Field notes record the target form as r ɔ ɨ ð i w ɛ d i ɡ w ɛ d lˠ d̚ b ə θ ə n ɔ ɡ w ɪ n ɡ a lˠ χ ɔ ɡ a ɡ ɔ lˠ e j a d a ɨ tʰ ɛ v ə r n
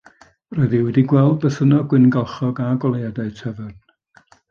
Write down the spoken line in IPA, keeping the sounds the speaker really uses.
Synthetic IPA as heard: r ɔ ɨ ð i w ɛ d i ɡ w ɛ lˠ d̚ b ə θ ə n ɔ ɡ w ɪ n ɡ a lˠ χ ɔ ɡ a ɡ ɔ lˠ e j a d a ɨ tʰ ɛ v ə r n